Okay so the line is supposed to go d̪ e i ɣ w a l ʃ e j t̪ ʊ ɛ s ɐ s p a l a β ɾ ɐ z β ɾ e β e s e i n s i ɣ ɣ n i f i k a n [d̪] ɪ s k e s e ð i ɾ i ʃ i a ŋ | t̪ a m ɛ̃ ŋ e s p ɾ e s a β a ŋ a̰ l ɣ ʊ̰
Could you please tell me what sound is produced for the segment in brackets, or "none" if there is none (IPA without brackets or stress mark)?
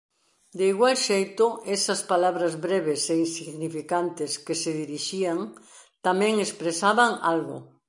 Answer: t̪